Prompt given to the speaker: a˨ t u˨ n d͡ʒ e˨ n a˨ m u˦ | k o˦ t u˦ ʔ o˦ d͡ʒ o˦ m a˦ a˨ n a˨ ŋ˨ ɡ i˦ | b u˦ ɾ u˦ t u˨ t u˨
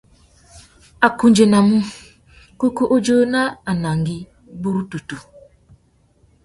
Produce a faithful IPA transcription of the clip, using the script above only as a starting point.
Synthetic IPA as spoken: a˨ k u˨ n d͡ʒ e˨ n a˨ m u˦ | k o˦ k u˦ ʔ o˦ d͡ʒ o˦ n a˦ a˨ n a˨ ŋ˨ ɡ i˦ | b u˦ ɾ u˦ t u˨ t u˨